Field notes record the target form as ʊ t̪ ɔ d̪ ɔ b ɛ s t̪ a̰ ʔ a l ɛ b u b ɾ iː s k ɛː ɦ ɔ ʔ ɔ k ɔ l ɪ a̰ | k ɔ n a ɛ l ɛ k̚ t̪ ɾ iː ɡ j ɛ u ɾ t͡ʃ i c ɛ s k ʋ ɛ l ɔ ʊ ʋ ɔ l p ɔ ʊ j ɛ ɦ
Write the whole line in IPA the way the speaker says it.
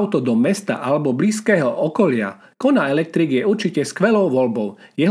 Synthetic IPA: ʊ t̪ ɔ d̪ ɔ m ɛ s t̪ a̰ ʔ a l ɛ b ɔ b l iː s k ɛː ɦ ɔ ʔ ɔ k ɔ l ɪ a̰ | k ɔ n a ɛ l ɛ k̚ t̪ ɾ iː ɡ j ɛ u ɾ t͡ʃ i c ɛ s k ʋ ɛ l ɔ ʊ ʋ ɔ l b ɔ ʊ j ɛ ɦ